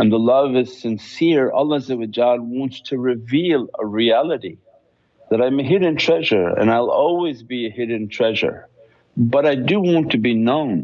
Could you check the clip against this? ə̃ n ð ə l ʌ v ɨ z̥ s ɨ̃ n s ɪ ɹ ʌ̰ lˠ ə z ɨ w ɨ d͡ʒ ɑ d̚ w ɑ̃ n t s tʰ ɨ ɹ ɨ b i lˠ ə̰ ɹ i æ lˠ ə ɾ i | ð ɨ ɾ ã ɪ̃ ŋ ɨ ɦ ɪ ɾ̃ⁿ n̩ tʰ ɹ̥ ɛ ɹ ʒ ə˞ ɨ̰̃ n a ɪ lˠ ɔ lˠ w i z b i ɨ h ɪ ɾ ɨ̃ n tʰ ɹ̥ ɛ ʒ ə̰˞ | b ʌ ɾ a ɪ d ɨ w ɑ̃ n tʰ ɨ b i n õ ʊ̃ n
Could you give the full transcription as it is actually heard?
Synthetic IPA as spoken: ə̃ n ð ə l ʌ v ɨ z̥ s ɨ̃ n s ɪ ɹ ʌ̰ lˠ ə z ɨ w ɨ d͡ʒ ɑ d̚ w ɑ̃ n t s tʰ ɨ ɹ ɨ v i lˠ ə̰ ɹ i æ lˠ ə ɾ i | ð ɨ ɾ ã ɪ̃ m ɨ ɦ ɪ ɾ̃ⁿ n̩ tʰ ɹ̥ ɛ ʒ ə˞ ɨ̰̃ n a ɪ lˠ ɔ lˠ w i z b i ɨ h ɪ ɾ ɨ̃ n tʰ ɹ̥ ɛ ʒ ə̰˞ | b ʌ ɾ a ɪ d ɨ w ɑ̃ n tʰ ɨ b i n õ ʊ̃ n